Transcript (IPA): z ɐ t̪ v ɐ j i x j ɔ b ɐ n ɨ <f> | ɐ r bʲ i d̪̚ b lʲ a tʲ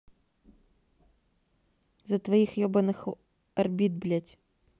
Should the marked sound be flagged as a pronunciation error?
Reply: yes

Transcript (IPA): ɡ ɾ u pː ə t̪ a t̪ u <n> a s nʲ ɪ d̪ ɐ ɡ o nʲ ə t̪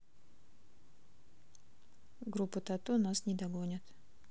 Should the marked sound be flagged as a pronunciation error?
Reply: no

